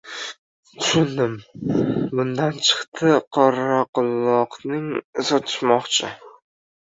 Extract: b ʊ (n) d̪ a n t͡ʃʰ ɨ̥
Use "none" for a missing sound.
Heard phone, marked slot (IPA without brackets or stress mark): n